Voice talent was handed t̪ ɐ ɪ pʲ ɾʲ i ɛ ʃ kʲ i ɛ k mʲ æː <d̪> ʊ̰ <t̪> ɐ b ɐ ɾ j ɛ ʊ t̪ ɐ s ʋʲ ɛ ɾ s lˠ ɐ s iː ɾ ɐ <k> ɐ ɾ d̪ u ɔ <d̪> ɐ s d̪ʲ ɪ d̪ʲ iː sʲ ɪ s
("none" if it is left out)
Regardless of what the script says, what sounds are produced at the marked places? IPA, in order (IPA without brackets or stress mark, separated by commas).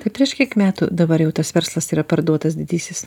t̪, d̪, p, t̪